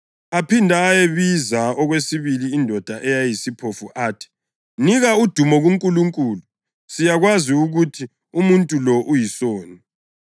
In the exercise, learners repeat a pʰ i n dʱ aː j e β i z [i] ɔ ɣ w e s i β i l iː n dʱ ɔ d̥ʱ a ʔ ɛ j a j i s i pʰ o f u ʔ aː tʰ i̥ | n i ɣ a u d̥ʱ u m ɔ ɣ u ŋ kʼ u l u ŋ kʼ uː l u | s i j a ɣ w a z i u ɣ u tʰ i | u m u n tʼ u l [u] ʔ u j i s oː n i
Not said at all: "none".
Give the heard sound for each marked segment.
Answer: a, ɔ

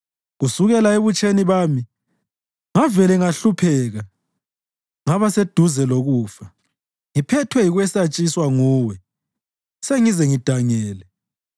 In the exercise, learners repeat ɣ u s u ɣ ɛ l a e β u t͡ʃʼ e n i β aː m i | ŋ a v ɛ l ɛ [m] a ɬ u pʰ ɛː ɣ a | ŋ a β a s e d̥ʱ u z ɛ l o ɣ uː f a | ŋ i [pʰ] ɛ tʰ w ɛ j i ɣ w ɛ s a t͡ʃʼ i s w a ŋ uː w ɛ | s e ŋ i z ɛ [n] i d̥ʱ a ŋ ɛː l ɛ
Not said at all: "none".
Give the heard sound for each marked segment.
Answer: ŋ, pʰ, ŋ

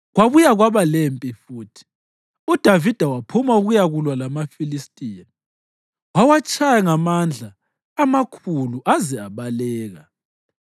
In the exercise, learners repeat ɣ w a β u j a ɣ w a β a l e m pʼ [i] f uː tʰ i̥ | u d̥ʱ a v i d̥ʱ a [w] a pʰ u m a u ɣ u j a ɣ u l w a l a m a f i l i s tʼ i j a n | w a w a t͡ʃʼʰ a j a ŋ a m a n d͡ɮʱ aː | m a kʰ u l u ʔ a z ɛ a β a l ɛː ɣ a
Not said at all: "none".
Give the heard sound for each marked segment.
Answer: i, w

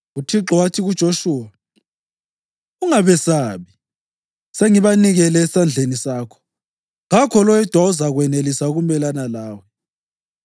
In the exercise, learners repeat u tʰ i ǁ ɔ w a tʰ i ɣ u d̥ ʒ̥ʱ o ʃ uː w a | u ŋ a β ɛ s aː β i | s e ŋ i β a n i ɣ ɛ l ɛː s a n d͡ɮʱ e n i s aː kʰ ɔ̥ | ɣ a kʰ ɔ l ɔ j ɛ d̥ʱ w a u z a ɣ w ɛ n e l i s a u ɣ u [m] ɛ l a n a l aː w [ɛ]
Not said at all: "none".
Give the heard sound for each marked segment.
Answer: m, ɛ

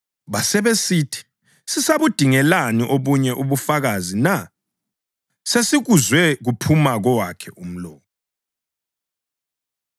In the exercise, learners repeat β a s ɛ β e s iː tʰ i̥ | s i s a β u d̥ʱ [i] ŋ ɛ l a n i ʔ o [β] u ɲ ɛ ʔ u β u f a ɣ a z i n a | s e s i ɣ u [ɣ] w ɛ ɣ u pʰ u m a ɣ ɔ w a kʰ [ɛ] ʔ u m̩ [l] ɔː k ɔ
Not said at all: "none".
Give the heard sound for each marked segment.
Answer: i, β, z, ɛ, l

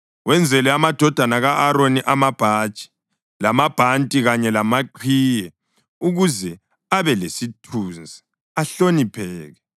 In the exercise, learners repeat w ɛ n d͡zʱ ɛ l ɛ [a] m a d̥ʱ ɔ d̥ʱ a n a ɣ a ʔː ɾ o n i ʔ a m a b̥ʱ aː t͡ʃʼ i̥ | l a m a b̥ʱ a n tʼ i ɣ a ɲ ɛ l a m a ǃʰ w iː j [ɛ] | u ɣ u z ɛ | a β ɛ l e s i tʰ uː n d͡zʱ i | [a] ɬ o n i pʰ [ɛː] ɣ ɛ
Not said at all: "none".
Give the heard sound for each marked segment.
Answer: a, ɛ, a, ɛː

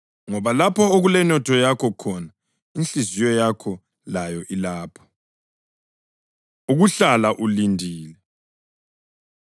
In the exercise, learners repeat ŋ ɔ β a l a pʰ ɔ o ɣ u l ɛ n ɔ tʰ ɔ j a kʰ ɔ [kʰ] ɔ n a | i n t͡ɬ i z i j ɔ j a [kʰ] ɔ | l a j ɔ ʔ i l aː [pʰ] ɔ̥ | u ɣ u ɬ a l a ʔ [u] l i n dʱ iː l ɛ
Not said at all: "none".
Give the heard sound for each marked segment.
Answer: kʰ, kʰ, pʰ, u

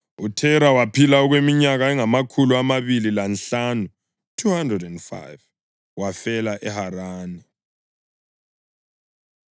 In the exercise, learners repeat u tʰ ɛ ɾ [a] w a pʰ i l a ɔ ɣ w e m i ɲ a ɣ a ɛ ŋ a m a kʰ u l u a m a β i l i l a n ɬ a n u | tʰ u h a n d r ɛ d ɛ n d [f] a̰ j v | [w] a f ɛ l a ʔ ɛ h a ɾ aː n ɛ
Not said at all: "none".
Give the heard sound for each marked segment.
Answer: a, f, w

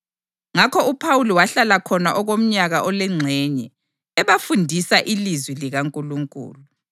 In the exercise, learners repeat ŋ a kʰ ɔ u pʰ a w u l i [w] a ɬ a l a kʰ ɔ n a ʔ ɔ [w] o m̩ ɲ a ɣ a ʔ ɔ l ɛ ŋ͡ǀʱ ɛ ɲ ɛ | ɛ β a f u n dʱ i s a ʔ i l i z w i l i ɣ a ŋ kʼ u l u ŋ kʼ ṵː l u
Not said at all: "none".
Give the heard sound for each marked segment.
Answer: w, ɣ

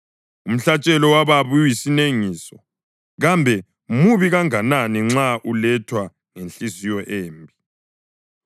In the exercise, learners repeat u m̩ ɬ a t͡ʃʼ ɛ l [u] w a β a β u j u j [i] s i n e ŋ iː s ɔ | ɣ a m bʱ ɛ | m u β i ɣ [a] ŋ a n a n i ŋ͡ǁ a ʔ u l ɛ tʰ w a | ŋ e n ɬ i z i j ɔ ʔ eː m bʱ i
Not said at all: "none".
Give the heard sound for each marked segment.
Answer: ɔ, i, a

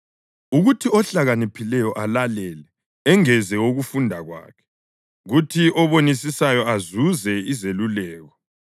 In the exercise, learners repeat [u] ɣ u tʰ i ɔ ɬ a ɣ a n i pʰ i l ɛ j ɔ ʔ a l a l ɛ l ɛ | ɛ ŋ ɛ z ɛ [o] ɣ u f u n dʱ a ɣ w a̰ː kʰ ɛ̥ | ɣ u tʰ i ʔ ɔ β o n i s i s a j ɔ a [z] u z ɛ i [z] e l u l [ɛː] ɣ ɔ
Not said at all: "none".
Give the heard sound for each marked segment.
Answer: u, o, z, z, ɛː

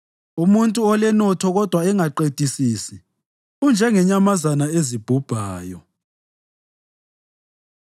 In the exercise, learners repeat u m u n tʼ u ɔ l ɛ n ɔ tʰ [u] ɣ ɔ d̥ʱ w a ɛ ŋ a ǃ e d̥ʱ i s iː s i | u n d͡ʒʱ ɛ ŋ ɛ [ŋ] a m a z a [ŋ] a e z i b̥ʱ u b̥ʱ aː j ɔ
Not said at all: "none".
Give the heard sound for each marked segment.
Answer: ɔ, ɲ, n

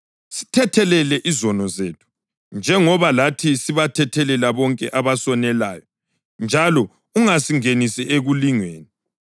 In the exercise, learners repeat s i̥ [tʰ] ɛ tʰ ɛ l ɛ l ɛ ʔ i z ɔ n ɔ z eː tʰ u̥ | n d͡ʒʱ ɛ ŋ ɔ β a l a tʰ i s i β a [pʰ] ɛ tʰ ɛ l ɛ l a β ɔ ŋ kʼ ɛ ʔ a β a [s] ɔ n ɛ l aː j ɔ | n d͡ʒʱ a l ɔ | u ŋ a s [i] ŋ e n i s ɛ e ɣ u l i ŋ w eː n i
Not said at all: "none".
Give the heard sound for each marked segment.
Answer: tʰ, tʰ, s, i

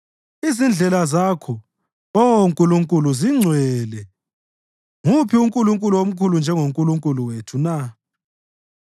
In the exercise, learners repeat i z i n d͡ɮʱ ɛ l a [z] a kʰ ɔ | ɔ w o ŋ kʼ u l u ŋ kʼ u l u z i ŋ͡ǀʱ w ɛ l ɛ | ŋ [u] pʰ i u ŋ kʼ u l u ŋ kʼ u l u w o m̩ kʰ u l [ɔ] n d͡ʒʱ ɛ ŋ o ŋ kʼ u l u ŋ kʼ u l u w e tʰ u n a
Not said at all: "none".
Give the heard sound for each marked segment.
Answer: z, u, u

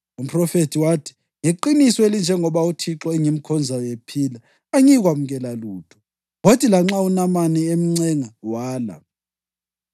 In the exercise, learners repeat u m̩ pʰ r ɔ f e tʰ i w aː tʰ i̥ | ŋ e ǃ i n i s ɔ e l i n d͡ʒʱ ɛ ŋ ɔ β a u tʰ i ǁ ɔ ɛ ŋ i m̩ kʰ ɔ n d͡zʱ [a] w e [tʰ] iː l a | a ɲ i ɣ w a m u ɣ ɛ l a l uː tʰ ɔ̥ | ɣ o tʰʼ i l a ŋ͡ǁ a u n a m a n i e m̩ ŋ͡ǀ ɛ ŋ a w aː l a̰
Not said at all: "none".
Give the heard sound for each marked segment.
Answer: a, pʰ

